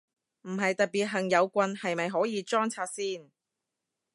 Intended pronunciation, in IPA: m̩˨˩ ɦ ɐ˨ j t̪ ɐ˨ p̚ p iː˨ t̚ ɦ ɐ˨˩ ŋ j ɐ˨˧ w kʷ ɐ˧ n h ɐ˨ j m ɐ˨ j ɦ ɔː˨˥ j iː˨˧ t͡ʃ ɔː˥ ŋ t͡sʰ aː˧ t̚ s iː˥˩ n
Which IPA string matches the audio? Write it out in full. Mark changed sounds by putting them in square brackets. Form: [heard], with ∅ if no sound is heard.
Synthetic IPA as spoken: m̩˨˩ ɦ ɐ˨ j t̪ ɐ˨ [t̚] p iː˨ t̚ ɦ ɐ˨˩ ŋ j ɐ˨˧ w kʷ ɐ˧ n h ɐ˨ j m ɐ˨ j ɦ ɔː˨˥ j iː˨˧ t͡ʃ ɔː˥ ŋ t͡sʰ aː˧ t̚ s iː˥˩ n